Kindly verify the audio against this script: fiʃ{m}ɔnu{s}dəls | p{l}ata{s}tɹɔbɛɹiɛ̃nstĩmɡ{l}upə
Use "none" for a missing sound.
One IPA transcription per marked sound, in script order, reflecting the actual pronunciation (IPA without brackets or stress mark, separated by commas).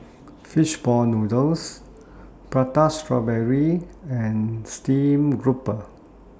b, none, ɹ, s, ɹ